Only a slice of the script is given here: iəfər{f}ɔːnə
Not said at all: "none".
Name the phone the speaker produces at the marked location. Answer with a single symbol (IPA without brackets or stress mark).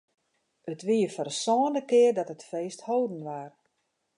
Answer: s